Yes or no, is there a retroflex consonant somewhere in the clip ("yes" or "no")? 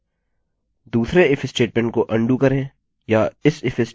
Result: yes